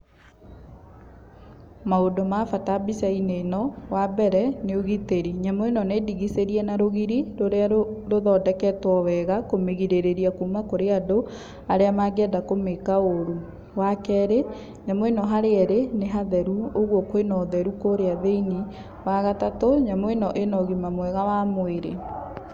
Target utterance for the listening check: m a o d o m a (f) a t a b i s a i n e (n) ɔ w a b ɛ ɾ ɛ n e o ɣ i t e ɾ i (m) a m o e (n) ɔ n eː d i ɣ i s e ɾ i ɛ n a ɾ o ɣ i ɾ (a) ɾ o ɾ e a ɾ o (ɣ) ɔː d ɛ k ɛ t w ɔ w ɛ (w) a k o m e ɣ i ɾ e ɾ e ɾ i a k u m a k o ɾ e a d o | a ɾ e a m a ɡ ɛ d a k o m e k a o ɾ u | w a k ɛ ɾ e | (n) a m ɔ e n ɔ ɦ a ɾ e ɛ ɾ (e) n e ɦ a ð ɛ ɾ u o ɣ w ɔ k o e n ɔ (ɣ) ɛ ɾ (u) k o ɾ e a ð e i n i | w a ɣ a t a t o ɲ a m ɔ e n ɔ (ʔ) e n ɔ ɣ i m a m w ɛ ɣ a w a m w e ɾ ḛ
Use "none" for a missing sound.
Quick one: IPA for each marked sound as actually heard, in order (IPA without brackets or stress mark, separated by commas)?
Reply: f, n, ɲ, n, i, ð, ɣ, ɲ, e, ð, u, ʔ